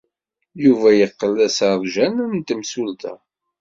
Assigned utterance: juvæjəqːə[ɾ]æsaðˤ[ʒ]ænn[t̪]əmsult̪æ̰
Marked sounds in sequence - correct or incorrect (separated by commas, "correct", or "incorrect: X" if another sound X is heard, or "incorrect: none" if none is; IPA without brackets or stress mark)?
incorrect: l, correct, correct